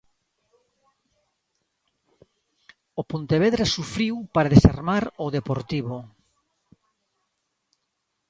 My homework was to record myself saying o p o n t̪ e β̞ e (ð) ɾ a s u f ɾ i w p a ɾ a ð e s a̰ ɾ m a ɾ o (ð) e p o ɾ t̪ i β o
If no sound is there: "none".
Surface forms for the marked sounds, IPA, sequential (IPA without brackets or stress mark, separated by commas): ð, ð